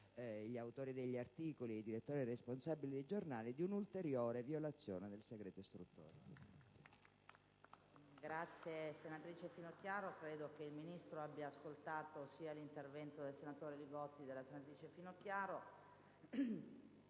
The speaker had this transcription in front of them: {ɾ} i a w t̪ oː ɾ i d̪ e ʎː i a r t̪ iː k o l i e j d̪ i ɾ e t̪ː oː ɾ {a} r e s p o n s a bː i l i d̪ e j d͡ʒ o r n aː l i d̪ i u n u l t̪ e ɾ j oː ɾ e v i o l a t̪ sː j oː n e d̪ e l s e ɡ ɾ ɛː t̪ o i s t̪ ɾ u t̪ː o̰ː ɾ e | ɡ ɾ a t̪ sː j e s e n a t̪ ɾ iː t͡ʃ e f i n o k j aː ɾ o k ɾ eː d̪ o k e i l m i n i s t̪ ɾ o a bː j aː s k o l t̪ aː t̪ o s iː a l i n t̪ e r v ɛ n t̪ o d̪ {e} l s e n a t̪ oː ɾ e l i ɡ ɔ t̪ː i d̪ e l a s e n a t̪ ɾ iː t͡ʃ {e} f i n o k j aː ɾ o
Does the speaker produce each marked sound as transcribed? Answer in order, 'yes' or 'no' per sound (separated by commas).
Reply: no, no, yes, yes